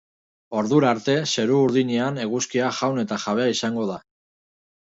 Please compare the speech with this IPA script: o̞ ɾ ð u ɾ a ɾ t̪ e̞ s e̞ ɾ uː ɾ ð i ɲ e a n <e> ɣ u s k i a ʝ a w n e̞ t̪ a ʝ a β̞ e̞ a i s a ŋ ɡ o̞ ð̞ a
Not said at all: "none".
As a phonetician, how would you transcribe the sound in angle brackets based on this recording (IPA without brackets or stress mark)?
e